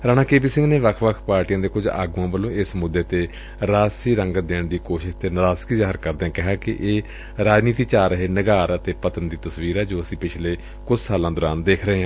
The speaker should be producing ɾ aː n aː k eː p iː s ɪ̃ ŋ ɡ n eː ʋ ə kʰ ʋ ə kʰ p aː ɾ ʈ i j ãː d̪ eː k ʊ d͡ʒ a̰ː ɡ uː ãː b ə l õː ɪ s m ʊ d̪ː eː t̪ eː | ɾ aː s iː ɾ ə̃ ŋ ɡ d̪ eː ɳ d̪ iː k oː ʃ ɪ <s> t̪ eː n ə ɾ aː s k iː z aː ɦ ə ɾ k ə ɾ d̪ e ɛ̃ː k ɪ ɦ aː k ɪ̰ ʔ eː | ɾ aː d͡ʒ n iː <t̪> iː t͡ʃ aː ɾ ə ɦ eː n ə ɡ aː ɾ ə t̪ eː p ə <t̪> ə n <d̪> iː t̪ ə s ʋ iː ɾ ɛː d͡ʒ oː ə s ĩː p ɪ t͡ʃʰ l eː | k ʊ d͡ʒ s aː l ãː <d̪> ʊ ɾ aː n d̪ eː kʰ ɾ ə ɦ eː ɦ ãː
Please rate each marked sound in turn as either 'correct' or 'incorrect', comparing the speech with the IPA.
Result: incorrect, correct, correct, correct, correct

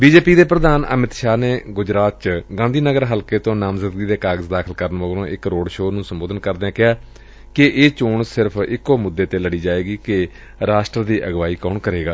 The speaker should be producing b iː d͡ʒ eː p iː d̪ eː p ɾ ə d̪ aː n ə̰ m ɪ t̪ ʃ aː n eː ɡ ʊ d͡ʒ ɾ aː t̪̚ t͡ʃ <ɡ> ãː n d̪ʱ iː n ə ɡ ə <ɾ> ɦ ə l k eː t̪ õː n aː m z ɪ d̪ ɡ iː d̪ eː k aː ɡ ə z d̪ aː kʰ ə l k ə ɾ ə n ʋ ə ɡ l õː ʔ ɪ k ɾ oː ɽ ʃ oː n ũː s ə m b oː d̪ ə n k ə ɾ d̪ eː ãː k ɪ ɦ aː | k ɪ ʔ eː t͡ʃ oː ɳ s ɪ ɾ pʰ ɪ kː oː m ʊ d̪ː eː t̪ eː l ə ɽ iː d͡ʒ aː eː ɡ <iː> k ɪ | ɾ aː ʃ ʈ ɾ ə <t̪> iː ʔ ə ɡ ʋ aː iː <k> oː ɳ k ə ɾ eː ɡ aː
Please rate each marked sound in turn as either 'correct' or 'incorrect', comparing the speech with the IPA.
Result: correct, correct, correct, incorrect, correct

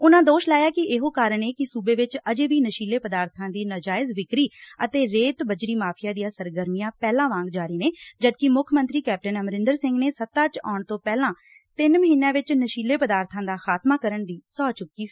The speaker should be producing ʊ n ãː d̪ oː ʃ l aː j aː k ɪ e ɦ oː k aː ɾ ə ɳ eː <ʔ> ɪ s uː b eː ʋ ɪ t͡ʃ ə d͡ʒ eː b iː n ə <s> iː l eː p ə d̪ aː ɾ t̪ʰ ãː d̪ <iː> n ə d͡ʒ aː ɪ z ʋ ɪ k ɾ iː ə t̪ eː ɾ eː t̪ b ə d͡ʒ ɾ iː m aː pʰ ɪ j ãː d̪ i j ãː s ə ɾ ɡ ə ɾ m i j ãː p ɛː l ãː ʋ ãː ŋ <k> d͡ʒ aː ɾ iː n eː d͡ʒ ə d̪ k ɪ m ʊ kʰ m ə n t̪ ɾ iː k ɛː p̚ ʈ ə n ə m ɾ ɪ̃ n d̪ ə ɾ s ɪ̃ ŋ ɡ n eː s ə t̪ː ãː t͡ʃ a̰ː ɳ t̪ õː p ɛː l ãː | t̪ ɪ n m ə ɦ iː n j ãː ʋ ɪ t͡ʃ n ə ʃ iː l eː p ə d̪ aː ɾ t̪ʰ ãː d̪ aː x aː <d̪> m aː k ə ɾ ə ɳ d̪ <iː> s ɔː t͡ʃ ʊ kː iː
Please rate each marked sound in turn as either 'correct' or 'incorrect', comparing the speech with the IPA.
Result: incorrect, incorrect, correct, incorrect, incorrect, correct

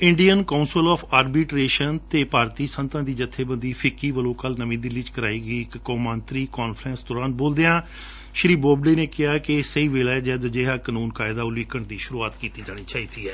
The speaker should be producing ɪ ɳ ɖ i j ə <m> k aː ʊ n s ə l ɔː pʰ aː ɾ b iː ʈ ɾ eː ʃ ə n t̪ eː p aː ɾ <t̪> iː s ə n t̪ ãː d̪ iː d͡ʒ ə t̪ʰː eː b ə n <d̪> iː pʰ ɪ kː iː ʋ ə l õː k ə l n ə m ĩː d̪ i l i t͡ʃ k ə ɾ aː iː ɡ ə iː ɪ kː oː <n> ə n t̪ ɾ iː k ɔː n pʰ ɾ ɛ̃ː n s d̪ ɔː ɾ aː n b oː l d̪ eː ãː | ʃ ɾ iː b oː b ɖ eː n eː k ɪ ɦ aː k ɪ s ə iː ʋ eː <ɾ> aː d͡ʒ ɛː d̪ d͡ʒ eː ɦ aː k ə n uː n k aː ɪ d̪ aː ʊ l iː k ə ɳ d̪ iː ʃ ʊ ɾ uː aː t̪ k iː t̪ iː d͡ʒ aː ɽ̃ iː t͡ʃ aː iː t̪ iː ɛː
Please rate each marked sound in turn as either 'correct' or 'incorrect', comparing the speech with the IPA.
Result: incorrect, correct, correct, incorrect, incorrect

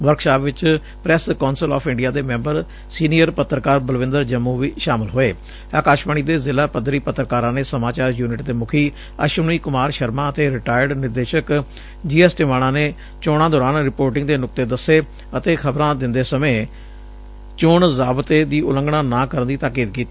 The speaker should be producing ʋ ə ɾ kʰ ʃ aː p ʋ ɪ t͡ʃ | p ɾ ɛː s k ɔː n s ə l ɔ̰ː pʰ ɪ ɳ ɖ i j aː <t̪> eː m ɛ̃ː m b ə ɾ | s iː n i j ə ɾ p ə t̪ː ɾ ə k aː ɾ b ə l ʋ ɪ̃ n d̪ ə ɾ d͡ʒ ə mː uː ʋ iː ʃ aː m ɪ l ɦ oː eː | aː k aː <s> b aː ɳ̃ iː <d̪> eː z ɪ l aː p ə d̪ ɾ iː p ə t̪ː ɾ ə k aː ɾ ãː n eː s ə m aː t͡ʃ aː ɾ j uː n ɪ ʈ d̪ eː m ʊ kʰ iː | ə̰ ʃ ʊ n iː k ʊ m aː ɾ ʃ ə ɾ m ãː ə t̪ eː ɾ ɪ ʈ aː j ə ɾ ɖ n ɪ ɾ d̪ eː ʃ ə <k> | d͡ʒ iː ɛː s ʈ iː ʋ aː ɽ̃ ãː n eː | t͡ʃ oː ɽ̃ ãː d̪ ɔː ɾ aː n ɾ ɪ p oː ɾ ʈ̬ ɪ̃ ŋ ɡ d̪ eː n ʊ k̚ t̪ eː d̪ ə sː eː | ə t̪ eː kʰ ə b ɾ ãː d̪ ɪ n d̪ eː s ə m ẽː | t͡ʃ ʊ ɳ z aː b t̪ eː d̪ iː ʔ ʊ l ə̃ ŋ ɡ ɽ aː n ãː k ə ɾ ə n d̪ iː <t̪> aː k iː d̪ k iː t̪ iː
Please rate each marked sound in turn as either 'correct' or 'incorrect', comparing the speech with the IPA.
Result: incorrect, incorrect, correct, correct, correct

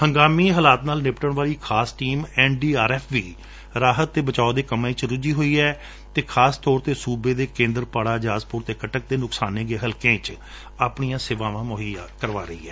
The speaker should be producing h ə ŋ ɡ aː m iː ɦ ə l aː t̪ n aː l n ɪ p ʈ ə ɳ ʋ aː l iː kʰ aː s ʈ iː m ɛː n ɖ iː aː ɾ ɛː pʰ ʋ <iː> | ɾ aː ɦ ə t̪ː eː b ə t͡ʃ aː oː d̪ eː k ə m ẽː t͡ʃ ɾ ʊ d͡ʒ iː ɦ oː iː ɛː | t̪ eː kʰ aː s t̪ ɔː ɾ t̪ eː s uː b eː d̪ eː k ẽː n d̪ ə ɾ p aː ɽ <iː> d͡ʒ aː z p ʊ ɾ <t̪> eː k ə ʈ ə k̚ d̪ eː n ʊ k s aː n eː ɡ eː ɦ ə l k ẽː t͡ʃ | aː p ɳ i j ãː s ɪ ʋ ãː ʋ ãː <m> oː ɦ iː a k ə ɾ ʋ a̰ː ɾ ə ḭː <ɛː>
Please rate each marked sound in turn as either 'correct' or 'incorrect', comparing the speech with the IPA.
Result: correct, incorrect, correct, correct, correct

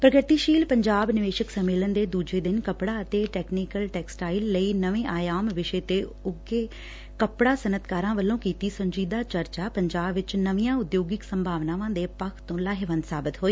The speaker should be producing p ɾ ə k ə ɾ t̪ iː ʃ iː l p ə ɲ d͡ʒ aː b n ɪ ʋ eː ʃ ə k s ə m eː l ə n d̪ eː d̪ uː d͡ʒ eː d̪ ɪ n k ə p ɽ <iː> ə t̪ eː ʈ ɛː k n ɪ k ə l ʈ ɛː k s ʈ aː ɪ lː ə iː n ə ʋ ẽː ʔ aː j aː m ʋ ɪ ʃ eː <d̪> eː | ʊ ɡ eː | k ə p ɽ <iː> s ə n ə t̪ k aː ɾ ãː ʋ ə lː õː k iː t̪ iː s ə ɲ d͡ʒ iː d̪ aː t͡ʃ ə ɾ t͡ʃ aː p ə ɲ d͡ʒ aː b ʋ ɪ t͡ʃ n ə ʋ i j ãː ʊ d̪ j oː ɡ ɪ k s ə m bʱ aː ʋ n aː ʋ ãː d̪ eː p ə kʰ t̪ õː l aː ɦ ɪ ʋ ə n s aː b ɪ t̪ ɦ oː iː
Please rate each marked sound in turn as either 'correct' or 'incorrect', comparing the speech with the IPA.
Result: incorrect, incorrect, incorrect

